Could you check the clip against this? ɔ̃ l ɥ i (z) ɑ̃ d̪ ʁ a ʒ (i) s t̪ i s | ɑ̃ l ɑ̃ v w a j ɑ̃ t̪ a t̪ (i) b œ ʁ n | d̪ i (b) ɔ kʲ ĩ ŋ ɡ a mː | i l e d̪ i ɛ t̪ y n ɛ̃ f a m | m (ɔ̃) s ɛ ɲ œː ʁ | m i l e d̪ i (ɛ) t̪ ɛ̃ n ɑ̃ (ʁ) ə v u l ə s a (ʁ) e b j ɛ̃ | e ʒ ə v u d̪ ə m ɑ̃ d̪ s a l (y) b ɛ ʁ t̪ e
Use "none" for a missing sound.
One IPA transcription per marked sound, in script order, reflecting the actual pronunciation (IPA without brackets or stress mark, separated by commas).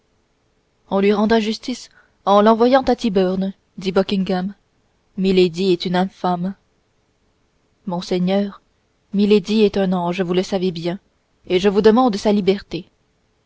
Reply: ʁ, y, i, b, ɔ̃, ɛ, ʒ, v, i